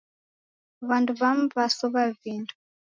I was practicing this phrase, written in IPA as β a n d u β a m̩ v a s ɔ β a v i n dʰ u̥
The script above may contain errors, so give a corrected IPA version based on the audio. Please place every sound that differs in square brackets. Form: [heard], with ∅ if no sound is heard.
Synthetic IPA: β a n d u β a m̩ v a s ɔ β a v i n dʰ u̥